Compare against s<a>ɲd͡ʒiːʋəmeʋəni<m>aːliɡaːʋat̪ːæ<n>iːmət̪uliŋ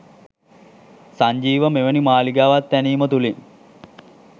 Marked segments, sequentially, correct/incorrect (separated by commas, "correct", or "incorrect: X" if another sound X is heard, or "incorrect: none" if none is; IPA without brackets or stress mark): correct, correct, correct